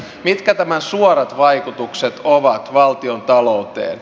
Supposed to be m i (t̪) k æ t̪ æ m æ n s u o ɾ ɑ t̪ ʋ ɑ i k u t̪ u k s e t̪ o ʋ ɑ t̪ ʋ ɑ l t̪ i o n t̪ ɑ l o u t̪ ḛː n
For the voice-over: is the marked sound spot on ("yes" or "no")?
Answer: yes